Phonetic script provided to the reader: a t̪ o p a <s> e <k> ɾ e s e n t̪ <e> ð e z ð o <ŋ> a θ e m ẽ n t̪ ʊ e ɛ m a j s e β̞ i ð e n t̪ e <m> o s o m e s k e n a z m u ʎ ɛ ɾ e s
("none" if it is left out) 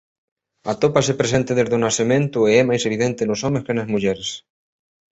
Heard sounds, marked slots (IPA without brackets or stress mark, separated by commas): s, p, e, n, n